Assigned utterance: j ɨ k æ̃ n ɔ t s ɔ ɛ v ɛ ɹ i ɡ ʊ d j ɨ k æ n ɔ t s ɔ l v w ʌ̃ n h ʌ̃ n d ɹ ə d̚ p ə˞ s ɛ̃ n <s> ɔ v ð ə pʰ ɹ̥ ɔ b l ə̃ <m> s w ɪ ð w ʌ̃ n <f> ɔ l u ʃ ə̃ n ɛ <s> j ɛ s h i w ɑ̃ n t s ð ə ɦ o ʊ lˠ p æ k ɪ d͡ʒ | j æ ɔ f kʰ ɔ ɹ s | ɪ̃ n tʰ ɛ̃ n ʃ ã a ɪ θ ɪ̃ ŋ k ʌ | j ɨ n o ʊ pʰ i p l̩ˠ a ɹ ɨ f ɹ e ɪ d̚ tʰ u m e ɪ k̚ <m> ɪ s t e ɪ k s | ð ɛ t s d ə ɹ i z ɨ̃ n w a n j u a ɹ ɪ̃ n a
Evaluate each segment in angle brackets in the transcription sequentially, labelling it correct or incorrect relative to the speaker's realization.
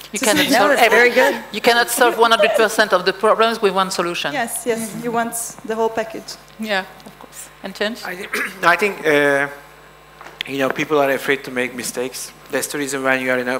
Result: incorrect: t, correct, incorrect: s, correct, correct

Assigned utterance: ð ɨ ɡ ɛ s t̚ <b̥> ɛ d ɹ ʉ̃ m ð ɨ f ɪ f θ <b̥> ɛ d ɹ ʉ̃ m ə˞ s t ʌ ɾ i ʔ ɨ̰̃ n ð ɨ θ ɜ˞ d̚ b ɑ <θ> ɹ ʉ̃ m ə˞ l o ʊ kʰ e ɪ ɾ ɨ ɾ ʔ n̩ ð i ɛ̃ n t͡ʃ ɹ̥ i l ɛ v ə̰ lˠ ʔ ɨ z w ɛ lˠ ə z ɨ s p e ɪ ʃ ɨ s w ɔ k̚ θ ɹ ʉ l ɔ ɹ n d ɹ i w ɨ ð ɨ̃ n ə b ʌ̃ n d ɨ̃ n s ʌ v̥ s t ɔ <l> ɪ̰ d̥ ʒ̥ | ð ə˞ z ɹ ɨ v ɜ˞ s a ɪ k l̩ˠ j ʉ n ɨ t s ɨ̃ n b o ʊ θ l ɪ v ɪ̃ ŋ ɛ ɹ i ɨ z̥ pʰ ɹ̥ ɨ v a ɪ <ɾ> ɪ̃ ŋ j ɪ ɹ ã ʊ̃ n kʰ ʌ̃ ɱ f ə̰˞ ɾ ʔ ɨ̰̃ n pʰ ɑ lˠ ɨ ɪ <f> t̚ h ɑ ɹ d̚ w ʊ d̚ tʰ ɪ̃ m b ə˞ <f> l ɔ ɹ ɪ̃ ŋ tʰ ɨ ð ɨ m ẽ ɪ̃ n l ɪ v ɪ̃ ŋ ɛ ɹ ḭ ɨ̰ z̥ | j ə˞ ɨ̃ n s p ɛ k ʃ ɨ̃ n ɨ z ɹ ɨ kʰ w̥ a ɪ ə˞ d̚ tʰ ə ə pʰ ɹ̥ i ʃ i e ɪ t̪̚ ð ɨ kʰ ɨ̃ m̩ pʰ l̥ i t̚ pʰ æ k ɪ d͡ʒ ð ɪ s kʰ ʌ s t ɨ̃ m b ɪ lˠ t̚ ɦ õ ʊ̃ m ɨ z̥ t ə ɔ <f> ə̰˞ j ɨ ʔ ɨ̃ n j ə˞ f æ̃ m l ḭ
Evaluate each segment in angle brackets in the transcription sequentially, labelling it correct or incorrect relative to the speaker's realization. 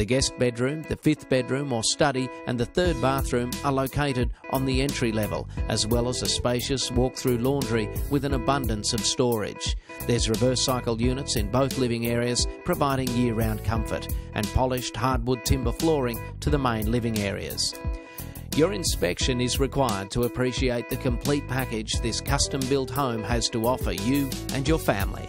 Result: correct, correct, correct, incorrect: ɹ, correct, incorrect: ʃ, correct, correct

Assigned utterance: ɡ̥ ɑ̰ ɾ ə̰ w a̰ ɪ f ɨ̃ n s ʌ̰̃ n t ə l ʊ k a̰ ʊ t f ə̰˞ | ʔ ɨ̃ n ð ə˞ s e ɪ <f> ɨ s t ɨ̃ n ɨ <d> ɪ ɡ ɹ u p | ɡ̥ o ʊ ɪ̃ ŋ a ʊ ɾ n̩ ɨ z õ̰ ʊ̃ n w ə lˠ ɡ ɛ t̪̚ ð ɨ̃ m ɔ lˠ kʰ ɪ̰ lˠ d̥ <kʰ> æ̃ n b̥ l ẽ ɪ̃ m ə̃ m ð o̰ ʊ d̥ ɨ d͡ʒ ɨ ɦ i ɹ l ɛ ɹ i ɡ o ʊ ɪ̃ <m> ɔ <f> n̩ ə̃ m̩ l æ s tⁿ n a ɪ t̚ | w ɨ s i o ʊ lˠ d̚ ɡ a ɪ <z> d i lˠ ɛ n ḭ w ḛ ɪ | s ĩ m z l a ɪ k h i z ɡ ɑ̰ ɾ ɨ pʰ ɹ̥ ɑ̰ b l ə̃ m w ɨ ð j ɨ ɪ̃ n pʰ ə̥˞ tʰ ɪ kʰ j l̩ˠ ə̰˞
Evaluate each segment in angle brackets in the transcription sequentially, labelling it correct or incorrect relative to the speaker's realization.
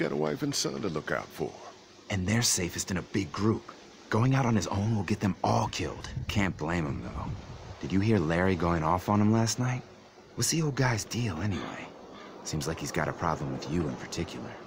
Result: correct, incorrect: b, correct, incorrect: ŋ, correct, correct

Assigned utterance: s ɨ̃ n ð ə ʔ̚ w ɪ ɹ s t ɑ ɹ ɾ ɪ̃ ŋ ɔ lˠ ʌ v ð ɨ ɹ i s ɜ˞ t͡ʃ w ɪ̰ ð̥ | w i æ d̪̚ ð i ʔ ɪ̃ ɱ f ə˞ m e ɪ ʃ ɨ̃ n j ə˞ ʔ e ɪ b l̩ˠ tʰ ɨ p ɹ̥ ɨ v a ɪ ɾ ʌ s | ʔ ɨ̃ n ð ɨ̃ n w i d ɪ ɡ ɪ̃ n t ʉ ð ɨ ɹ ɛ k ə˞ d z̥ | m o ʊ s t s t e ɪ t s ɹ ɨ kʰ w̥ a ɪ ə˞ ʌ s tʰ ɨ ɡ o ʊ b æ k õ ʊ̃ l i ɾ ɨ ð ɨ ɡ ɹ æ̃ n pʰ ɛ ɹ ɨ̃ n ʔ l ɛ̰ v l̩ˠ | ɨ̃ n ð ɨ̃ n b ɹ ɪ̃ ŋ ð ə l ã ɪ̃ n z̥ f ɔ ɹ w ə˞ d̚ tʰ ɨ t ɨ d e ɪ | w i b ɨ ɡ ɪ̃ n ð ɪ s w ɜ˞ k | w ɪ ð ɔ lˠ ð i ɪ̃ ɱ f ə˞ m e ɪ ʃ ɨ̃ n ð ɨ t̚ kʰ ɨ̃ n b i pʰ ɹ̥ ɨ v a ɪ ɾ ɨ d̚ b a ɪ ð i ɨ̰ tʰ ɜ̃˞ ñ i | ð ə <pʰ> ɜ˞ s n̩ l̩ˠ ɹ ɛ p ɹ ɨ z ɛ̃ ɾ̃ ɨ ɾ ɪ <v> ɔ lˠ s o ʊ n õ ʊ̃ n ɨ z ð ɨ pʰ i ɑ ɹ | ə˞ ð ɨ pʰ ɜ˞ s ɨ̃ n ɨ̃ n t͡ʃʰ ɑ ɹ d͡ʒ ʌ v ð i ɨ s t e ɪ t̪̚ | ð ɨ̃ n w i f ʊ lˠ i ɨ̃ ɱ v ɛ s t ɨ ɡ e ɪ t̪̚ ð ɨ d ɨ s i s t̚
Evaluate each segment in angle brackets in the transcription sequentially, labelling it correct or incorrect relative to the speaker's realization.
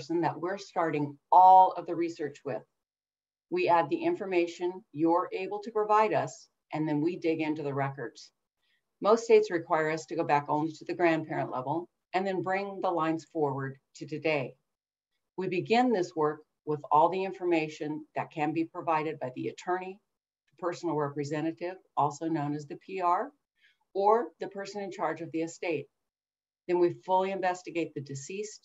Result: correct, correct

